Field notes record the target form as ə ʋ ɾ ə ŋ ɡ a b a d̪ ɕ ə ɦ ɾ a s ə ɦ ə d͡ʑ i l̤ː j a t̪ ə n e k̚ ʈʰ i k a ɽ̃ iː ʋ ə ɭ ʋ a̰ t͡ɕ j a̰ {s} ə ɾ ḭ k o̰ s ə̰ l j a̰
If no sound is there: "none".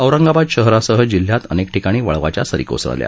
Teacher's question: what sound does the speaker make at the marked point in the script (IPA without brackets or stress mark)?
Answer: s